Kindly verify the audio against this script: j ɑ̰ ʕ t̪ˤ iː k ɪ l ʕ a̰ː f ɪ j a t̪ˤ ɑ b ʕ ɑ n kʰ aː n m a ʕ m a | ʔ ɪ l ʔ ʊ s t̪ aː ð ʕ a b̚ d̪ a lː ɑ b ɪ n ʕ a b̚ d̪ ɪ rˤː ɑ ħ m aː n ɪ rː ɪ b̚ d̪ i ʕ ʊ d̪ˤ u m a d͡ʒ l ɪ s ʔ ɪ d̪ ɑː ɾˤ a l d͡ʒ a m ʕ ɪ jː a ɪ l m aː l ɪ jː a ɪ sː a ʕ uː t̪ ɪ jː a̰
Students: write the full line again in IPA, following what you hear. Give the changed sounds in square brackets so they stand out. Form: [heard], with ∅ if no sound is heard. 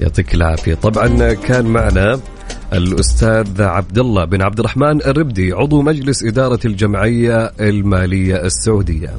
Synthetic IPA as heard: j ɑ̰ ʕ t̪ˤ iː k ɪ l ʕ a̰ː f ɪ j a t̪ˤ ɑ b ʕ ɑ n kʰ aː n m a ʕ [n] a | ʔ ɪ l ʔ ʊ s t̪ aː ð ʕ a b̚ d̪ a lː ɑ b ɪ n ʕ a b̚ d̪ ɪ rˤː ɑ ħ m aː n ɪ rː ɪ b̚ d̪ i ʕ ʊ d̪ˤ u m a d͡ʒ l ɪ s ʔ ɪ d̪ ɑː ɾˤ [ɑ] l d͡ʒ a m ʕ ɪ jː a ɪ l m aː l ɪ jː a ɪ sː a ʕ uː [d̪] ɪ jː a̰